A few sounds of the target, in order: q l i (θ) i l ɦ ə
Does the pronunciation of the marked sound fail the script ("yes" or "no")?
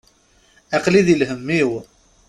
yes